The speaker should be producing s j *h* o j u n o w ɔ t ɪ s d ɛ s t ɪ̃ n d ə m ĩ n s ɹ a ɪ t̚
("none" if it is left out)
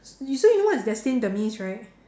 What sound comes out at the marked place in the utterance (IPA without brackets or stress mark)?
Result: s